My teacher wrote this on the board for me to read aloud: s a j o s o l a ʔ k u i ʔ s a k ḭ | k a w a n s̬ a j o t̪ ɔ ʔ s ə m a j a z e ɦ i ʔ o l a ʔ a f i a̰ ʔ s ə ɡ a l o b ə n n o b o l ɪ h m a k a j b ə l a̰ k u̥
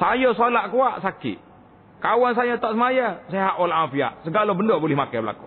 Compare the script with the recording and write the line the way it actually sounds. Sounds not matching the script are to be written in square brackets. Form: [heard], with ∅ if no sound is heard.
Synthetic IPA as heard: s a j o s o l a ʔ k u [a] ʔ s a k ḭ | k a w a n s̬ a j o t̪ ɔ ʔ s ə m a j a [s] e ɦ [a] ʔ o l a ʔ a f i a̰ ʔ s ə ɡ a l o b ə n [d] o b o l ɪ h m a k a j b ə l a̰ k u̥

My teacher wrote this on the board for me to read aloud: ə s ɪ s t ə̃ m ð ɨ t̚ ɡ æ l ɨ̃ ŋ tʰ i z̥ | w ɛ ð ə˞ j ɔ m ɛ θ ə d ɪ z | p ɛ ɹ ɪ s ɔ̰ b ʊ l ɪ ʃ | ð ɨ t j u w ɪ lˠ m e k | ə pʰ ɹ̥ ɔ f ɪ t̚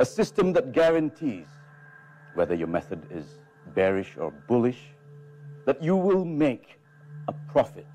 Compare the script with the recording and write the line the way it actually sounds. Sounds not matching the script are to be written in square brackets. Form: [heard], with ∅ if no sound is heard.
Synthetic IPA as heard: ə s ɪ s t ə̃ m ð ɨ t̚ ɡ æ [ɹ] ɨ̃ [n] tʰ i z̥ | w ɛ ð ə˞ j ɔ m ɛ θ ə d ɪ z | [b] ɛ ɹ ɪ [ʃ] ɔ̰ b ʊ l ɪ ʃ | ð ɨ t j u w ɪ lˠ m e k | ə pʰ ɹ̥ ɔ f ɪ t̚

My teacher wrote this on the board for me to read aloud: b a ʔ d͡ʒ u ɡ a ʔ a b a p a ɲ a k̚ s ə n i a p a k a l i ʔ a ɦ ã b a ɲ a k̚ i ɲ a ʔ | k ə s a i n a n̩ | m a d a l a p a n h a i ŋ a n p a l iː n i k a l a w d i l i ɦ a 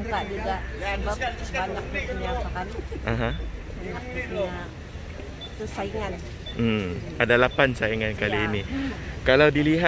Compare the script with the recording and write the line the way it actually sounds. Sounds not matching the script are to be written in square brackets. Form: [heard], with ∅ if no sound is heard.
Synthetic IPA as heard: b a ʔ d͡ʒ u ɡ a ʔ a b a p a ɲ a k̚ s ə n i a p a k a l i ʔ a ɦ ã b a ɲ a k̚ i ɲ a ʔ | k ə s a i [ŋ] a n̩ | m a d a l a p a n [s] a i ŋ a n [k] a l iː n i k a l a w d i l i ɦ a

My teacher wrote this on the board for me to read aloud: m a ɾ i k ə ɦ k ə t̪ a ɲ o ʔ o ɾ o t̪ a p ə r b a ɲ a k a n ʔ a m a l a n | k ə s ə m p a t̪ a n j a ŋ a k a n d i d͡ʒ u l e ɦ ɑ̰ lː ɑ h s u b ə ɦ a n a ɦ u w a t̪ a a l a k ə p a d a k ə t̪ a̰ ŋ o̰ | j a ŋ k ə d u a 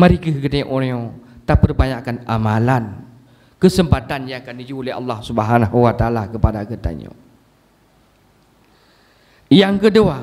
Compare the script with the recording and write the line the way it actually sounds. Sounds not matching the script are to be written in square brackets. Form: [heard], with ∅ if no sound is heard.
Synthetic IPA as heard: m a ɾ i k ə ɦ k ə t̪ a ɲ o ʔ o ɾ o t̪ a p ə r b a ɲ a k a n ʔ a m a l a n | k ə s ə m p a t̪ a n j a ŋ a k a n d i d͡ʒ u l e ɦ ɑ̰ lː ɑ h s u b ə ɦ a n a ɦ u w a t̪ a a l a k ə p a d a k ə t̪ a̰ [ɲ] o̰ | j a ŋ k ə d u a

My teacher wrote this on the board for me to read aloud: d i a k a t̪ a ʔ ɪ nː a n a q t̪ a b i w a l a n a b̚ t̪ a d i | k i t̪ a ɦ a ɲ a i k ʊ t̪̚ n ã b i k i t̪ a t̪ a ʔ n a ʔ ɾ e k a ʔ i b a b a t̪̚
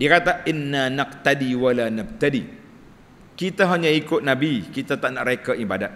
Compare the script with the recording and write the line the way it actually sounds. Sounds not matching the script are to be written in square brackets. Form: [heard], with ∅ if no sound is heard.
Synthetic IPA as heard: d i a k a t̪ a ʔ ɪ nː a n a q t̪ a [d] i w a l a n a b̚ t̪ a d i | k i t̪ a ɦ a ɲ a i k ʊ t̪̚ n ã b i k i t̪ a t̪ a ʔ n a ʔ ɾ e k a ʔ i b a [d] a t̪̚

